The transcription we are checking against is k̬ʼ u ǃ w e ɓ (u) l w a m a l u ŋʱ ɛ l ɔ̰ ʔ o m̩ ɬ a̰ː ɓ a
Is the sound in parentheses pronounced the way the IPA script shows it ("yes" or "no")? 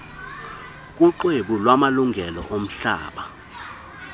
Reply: yes